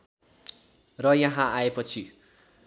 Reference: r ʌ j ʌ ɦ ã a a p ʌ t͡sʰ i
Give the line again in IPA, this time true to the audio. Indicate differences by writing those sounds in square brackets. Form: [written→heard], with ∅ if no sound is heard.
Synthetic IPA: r ʌ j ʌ ɦ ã a [a→e] p ʌ t͡sʰ i